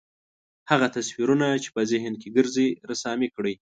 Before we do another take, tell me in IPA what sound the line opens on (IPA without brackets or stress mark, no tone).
h